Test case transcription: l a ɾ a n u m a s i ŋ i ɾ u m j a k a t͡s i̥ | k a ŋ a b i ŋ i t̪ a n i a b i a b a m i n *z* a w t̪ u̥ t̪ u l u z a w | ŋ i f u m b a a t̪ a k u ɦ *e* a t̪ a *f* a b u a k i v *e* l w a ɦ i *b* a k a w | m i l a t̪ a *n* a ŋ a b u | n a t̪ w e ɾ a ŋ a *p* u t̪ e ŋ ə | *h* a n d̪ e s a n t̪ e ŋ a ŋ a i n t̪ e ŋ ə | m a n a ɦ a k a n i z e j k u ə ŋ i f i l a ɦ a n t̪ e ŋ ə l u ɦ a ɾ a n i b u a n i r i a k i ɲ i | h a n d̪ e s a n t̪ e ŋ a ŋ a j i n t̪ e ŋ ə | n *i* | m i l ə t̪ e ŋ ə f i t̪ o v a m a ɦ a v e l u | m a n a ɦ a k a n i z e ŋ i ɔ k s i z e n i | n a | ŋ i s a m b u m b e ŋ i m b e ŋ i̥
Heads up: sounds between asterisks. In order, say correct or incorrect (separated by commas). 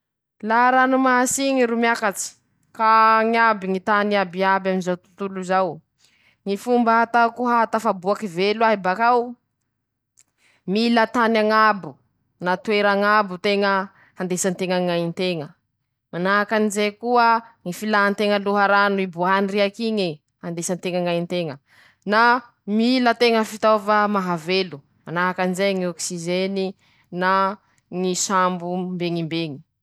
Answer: correct, incorrect, correct, correct, correct, correct, incorrect, correct, incorrect